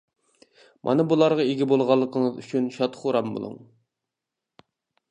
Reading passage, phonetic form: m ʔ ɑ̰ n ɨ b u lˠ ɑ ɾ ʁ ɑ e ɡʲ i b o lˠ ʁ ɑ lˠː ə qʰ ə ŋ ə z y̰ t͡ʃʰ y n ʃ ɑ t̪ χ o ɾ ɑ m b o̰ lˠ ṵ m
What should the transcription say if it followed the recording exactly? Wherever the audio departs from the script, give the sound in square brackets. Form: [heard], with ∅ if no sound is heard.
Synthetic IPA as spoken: m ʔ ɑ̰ n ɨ b u lˠ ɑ ɾ ʁ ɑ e ɡʲ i b o lˠ ʁ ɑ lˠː ə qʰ ə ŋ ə z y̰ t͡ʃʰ y n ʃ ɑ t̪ χ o ɾ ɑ m b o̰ lˠ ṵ [ŋ]